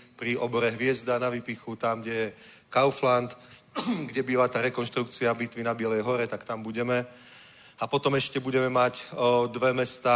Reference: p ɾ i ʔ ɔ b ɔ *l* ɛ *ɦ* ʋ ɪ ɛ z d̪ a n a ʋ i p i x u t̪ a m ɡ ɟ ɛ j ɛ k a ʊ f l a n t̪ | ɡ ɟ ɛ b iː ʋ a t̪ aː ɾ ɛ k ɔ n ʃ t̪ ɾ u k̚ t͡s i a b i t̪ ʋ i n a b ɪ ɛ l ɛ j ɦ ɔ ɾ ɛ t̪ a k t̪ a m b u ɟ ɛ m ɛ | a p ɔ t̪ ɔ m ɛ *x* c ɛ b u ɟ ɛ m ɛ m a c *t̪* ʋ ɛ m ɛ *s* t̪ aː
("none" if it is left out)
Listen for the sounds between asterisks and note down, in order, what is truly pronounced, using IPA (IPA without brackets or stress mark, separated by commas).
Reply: ɾ, ɦ, ʃ, d̪, s